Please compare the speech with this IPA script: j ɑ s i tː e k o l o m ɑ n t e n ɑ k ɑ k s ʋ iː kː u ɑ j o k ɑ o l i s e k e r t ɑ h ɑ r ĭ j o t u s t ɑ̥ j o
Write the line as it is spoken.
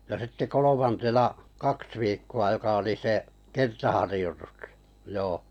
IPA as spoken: j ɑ s i tː e k o l o m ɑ n t e n ɑ k ɑ k s ʋ iː kː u ɑ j o k ɑ o l i s e k e r t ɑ h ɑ r ĭ j o t u s t ɑ̥ j oː